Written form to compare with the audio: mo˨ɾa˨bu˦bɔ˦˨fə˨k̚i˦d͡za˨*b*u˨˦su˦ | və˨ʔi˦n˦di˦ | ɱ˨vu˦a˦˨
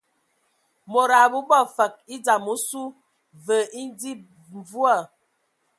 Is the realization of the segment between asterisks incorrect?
yes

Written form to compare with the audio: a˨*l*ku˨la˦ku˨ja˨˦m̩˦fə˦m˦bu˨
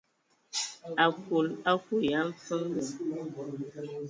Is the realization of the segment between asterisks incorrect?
yes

